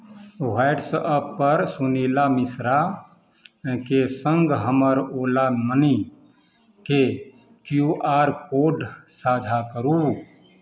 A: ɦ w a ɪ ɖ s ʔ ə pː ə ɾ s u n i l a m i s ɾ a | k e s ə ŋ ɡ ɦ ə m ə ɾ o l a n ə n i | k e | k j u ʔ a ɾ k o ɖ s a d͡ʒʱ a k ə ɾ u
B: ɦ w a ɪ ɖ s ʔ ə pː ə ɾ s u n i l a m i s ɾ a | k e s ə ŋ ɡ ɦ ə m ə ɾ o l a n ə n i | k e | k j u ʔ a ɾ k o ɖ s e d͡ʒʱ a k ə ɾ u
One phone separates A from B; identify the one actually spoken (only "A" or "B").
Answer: A